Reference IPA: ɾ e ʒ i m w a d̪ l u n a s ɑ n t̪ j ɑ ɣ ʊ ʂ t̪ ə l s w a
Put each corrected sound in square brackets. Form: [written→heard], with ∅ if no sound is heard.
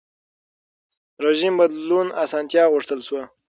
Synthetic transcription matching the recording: ɾ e ʒ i m [w→b] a d̪ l u n a s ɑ n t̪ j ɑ ɣ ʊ ʂ t̪ ə l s w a